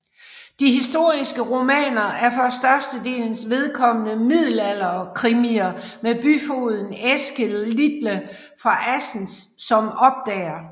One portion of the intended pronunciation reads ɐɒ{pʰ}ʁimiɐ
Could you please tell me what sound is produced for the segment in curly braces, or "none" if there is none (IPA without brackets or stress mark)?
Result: kʰ